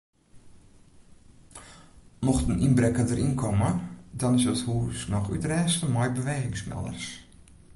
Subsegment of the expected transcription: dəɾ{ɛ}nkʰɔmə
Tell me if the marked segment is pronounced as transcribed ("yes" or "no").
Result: no